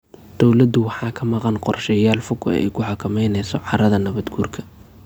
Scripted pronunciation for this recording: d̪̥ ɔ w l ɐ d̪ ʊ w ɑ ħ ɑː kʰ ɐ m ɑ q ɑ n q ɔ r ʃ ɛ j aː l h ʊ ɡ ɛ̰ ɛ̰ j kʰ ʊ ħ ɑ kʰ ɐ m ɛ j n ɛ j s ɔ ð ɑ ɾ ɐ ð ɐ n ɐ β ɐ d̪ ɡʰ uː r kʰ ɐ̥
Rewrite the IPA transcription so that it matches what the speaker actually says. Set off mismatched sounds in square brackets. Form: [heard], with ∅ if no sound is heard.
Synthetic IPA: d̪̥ ɔ w l ɐ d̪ ʊ w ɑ ħ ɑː kʰ ɐ m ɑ q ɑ n q ɔ r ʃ ɛ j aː l [f] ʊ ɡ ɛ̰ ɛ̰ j kʰ ʊ ħ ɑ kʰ ɐ m ɛ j n ɛ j s ɔ [ʕ] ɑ ɾ ɐ ð ɐ n ɐ β ɐ d̪ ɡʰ uː r kʰ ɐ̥